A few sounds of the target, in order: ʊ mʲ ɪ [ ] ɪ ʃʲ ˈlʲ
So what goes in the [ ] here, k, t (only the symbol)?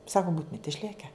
t